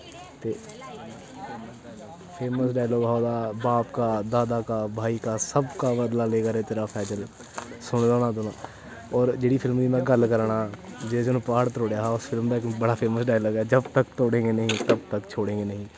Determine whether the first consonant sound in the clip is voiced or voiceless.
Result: voiceless